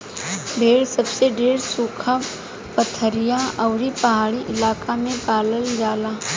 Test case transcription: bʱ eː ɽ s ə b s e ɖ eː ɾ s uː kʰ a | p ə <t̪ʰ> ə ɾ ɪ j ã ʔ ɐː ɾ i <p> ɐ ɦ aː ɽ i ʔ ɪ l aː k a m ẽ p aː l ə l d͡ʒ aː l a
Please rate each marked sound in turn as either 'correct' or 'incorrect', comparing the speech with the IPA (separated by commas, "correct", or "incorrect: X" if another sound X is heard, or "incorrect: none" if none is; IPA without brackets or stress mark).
correct, correct